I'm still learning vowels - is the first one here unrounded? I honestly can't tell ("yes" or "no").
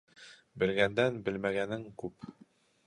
yes